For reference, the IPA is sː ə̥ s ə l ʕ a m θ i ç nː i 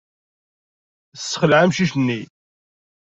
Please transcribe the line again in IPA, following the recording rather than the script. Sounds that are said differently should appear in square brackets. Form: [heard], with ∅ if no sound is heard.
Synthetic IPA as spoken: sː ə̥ [χ] ə l ʕ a m [ʃ] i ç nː i